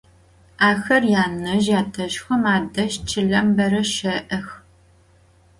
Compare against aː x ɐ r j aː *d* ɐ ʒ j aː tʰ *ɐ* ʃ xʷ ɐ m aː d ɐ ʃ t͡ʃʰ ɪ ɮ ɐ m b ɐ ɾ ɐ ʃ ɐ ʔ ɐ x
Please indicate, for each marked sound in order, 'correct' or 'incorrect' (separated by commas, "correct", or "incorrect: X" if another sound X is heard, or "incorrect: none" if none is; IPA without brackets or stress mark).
incorrect: n, correct